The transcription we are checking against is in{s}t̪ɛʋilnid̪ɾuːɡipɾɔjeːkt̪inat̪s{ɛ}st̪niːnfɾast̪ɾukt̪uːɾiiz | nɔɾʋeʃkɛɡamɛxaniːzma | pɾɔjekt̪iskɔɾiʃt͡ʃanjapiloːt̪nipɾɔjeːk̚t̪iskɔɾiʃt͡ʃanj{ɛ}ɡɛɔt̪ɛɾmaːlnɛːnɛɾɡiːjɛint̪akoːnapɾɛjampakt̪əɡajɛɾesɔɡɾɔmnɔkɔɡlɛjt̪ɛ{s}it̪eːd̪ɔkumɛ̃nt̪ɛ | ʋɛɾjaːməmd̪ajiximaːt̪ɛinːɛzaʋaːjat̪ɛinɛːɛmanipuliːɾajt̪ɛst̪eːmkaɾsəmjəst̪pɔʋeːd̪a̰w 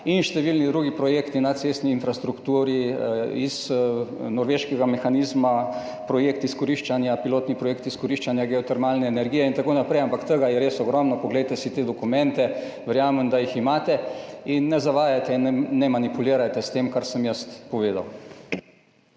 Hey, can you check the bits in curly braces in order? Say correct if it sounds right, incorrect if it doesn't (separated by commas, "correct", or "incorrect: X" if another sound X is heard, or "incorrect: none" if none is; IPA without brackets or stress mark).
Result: incorrect: ʃ, incorrect: e, incorrect: a, correct